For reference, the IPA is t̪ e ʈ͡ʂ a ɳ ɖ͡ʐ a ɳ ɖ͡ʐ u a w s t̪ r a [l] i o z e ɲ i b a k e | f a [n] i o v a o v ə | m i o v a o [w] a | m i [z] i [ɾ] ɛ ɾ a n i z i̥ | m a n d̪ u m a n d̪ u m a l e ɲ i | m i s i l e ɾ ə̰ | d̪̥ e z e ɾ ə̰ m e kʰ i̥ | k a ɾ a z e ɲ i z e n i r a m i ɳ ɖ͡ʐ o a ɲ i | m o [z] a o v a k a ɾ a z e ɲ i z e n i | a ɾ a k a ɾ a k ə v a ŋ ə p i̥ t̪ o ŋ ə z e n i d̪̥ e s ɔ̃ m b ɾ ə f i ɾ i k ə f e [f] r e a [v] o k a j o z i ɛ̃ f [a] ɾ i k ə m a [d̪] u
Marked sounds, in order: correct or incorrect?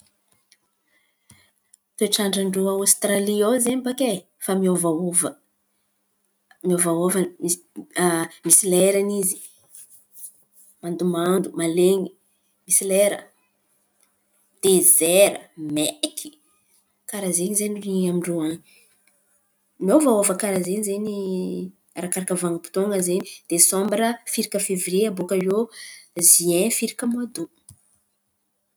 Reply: correct, incorrect: m, incorrect: v, incorrect: s, incorrect: l, incorrect: v, incorrect: v, incorrect: b, incorrect: i, correct

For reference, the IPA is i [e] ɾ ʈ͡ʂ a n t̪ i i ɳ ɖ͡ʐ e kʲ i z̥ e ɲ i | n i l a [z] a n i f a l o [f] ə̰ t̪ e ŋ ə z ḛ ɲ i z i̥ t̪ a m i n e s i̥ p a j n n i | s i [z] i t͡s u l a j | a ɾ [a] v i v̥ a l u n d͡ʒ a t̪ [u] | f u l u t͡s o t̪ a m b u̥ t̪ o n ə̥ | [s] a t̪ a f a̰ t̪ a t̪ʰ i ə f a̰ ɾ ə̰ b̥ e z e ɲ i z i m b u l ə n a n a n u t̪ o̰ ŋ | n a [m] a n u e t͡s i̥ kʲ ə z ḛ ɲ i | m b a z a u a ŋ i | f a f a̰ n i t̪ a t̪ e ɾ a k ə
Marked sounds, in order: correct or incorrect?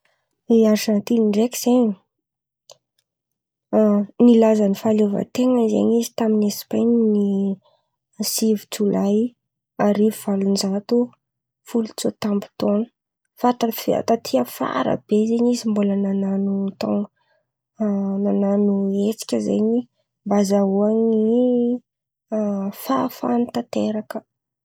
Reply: incorrect: a, correct, incorrect: v, incorrect: v, incorrect: i, correct, incorrect: f, incorrect: n

